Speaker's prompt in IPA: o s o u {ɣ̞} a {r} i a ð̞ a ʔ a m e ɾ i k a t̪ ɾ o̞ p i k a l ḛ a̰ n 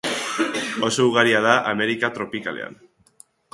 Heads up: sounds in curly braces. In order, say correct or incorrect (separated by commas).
correct, incorrect